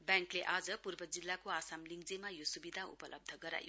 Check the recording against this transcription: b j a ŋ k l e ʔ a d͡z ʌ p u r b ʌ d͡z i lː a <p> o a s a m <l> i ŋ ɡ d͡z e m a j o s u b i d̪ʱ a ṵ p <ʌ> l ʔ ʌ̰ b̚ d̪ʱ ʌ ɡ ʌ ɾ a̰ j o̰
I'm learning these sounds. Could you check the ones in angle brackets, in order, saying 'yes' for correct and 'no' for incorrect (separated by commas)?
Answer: no, yes, yes